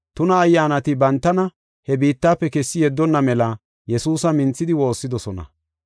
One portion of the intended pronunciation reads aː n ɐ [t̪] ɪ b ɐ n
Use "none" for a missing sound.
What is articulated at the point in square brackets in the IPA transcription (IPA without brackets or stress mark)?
t̪